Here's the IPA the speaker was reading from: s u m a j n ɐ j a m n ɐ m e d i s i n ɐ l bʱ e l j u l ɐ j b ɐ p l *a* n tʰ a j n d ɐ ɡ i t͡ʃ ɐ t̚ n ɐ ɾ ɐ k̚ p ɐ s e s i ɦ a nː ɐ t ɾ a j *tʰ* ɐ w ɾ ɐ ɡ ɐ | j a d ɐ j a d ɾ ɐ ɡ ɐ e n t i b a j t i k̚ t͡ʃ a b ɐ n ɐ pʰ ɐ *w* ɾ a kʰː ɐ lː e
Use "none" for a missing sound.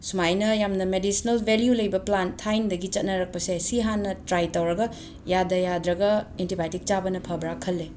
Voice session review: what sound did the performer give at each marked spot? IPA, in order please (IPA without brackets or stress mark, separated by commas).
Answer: a, t, b